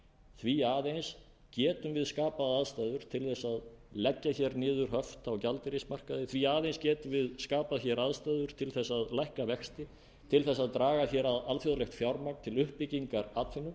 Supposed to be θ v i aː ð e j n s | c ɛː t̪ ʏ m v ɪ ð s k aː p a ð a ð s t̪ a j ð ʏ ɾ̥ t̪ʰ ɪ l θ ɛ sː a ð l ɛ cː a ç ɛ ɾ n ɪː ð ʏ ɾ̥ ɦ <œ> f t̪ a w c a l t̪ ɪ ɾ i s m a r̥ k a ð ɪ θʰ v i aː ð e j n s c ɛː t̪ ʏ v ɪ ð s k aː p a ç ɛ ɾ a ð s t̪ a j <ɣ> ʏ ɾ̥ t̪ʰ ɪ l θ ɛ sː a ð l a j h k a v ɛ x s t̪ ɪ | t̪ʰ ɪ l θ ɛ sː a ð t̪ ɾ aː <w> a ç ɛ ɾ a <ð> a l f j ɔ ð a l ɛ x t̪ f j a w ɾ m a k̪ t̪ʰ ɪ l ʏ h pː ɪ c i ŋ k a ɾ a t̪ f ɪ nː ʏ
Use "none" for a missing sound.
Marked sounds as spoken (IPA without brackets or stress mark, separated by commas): œ, ð, ɣ, ð